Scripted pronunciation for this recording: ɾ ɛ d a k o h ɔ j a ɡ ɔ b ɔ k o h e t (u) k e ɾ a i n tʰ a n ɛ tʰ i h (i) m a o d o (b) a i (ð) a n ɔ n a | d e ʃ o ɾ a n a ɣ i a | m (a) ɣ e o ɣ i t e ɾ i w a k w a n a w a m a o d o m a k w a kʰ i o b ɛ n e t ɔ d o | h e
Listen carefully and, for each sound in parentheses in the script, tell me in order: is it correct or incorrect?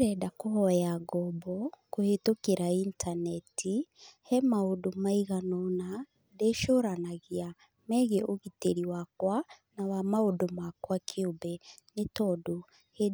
incorrect, incorrect, incorrect, incorrect, incorrect

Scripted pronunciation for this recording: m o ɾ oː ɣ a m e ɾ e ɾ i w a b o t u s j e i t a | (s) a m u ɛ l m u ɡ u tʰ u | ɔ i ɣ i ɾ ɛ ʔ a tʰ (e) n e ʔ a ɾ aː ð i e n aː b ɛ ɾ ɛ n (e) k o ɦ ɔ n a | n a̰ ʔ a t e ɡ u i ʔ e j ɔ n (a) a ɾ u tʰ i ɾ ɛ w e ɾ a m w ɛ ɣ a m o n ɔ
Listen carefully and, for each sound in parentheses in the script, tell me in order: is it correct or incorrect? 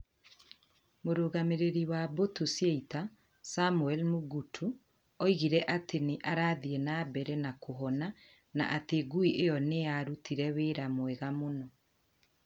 correct, correct, incorrect, incorrect

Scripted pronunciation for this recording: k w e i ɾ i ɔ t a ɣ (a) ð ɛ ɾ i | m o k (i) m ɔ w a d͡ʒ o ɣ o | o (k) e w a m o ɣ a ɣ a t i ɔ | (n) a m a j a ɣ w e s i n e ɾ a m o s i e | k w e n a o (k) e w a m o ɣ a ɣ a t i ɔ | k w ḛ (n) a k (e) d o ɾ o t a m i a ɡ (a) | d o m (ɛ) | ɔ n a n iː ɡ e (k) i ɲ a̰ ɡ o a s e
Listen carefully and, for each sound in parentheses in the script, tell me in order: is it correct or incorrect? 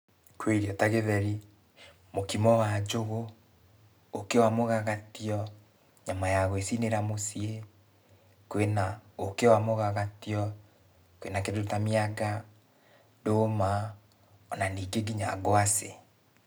incorrect, correct, correct, incorrect, correct, correct, correct, correct, incorrect, incorrect

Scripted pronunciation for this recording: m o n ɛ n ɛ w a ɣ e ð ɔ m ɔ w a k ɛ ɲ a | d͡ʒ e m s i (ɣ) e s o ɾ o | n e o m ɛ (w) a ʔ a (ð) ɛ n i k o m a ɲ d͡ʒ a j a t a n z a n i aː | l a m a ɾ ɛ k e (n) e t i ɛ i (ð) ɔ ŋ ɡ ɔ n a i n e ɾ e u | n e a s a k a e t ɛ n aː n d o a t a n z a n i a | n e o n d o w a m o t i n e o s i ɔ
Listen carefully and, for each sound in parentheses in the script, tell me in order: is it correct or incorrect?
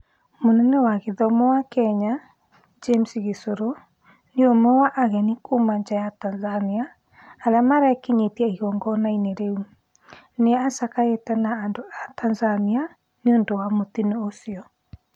correct, correct, incorrect, incorrect, incorrect

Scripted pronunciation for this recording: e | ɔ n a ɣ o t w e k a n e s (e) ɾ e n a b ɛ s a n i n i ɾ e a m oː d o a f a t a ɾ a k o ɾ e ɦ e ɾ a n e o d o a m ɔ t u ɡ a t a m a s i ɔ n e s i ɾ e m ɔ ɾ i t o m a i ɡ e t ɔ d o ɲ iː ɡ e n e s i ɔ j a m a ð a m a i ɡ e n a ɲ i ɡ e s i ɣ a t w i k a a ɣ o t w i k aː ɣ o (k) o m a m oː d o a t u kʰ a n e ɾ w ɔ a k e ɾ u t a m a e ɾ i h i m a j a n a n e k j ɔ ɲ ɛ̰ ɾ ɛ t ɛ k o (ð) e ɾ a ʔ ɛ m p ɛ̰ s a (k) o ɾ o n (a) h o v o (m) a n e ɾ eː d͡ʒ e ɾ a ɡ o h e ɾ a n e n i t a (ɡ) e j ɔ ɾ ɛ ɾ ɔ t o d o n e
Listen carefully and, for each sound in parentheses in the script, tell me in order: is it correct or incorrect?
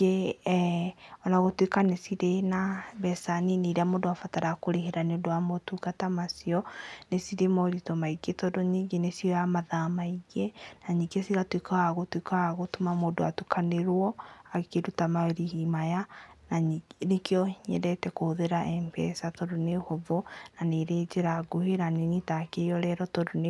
incorrect, incorrect, correct, incorrect, incorrect, incorrect, incorrect

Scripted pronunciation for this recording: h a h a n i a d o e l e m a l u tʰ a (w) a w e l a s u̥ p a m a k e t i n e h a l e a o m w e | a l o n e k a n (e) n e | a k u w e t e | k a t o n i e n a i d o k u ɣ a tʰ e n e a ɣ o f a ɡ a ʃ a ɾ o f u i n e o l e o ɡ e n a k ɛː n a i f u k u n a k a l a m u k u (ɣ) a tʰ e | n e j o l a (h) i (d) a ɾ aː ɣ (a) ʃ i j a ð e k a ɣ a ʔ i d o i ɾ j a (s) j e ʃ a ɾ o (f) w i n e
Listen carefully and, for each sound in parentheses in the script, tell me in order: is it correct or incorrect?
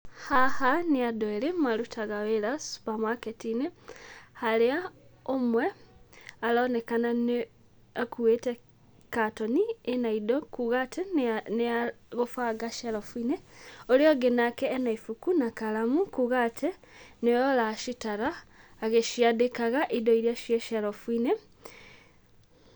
incorrect, incorrect, correct, incorrect, incorrect, incorrect, incorrect, correct

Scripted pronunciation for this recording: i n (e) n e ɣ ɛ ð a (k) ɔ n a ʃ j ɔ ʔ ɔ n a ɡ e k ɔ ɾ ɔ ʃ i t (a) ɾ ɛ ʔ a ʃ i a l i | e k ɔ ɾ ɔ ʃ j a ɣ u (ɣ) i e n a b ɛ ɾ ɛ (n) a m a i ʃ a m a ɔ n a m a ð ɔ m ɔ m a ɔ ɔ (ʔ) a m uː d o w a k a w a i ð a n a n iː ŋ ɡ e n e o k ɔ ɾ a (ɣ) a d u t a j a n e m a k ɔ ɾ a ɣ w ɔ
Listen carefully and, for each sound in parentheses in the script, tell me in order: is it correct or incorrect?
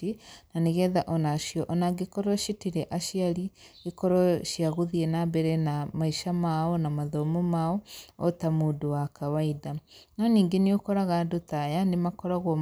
incorrect, incorrect, incorrect, incorrect, correct, incorrect, correct

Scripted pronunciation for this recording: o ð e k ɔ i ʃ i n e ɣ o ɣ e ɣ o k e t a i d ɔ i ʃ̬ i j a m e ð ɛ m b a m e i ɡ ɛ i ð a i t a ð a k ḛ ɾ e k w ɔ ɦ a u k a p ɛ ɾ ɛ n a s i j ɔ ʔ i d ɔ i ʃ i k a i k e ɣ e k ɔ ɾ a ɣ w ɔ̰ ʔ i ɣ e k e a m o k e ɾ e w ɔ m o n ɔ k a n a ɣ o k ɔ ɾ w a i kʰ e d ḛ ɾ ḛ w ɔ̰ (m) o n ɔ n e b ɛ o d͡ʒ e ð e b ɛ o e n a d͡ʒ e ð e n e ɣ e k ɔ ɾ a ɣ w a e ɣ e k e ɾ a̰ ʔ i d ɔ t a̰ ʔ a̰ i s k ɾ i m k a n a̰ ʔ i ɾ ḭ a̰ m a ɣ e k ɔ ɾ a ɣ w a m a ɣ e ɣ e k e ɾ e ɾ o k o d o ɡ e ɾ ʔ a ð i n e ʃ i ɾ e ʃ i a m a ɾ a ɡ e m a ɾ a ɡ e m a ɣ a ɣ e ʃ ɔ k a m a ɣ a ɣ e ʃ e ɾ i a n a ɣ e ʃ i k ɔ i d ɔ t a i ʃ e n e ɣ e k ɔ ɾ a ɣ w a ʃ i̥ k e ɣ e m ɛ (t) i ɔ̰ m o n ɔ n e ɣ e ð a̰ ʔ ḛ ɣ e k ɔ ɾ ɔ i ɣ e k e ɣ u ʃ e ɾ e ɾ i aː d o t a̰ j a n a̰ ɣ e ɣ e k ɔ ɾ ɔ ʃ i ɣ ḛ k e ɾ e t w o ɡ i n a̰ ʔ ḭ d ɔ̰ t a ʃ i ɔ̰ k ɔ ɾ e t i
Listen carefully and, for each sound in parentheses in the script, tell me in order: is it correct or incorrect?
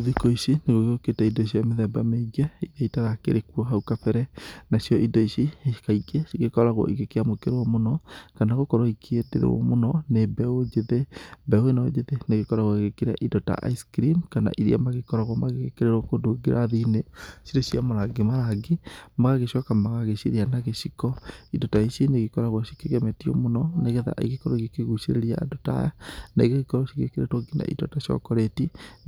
correct, correct

